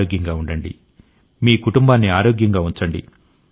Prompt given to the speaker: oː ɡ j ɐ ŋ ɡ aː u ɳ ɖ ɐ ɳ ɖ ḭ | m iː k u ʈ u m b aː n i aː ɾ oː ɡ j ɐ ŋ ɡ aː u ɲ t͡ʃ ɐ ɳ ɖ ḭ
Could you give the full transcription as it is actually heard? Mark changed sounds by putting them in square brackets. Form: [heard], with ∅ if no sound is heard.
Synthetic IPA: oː ɡ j ɐ ŋ ɡ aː u ɳ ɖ ɐ ɳ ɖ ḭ | m iː k u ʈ u m b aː [nː] i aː ɾ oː ɡ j ɐ ŋ ɡ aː u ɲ t͡ʃ ɐ ɳ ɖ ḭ